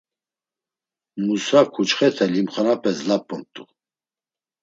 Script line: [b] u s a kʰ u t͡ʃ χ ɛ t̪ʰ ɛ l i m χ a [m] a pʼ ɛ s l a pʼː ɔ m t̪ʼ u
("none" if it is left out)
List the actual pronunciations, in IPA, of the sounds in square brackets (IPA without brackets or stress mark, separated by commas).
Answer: m, n